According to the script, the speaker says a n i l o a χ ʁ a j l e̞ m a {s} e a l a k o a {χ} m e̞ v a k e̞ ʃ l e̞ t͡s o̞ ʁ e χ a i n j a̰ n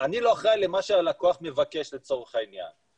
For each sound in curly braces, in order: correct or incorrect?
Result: incorrect: ʃ, correct

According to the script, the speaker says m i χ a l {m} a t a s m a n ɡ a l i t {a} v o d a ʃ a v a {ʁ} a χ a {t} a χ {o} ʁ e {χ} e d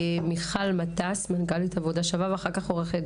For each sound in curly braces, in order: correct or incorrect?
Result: correct, correct, incorrect: v, incorrect: k, correct, correct

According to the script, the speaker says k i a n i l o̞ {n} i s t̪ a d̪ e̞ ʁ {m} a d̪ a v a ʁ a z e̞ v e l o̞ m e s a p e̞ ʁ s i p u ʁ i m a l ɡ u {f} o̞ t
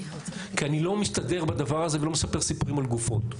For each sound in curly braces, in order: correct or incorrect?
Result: incorrect: m, incorrect: b, correct

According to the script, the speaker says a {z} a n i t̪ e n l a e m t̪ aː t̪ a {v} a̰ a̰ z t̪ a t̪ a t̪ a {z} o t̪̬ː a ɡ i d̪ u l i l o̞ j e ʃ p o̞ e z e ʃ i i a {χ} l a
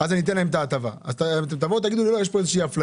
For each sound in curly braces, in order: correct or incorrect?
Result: correct, correct, incorrect: v, incorrect: f

